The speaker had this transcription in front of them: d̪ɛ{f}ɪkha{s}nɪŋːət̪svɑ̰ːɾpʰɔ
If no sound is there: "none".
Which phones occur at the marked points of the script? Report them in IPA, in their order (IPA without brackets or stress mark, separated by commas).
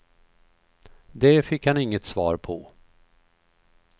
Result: f, none